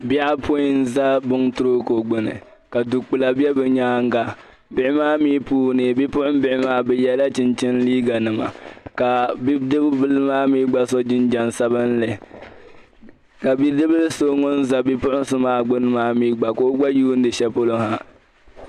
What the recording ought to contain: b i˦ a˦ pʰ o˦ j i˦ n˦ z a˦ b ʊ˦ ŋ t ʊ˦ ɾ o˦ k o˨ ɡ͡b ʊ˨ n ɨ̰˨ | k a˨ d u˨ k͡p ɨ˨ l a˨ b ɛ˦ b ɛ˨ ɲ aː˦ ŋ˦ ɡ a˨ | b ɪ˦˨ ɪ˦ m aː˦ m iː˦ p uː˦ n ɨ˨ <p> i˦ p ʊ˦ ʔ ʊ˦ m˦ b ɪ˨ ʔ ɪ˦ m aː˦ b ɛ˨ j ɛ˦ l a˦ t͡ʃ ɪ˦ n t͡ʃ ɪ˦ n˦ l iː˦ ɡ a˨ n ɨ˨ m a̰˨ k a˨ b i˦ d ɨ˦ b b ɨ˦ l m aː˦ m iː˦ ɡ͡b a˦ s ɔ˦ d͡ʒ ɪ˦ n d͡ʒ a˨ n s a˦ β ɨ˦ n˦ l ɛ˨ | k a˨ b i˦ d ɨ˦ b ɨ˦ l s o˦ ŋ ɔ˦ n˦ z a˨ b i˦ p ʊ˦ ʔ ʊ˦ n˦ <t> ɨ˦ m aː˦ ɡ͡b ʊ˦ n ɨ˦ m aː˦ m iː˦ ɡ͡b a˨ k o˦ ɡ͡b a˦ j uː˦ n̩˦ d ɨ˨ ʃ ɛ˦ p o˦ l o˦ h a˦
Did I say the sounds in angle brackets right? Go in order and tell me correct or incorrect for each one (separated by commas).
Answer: incorrect, incorrect